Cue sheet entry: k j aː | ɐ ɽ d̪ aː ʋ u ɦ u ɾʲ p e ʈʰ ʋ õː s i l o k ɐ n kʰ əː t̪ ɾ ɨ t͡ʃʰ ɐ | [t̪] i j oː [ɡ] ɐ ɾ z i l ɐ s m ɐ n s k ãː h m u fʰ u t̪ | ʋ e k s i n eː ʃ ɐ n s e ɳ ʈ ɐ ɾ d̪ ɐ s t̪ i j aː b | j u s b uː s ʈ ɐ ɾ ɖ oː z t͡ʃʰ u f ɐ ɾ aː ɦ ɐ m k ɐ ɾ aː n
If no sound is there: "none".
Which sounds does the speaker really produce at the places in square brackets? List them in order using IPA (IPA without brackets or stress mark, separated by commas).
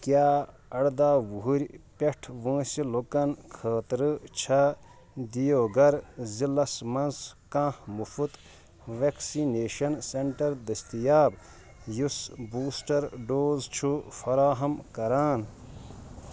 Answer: d̪, ɡ